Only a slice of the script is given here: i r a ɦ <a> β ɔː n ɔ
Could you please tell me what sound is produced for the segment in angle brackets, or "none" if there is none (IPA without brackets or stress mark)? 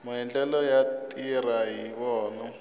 i